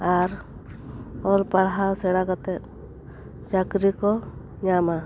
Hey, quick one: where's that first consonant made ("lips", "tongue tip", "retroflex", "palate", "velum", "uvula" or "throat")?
tongue tip